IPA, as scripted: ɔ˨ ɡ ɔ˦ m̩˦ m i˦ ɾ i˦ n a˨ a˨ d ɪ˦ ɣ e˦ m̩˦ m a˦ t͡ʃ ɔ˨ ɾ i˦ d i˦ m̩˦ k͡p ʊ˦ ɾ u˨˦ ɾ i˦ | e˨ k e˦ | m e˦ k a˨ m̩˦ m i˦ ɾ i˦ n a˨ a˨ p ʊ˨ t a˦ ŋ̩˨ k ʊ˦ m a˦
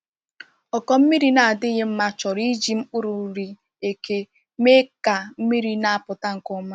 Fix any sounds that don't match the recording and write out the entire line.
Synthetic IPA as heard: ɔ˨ k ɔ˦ m̩˦ m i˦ ɾ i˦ n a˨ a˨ d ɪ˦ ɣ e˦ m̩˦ m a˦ t͡ʃ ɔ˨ ɾ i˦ d͡ʒ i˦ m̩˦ k͡p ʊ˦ ɾ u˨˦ ɾ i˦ | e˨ k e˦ | m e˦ k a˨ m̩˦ m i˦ ɾ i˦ n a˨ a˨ p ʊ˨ t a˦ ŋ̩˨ k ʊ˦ m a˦